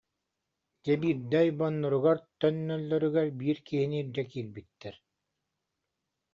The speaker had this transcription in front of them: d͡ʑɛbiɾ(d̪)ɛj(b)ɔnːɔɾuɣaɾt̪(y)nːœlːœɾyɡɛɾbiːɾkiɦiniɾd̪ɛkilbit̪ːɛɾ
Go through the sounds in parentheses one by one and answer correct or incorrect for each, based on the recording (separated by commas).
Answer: correct, correct, incorrect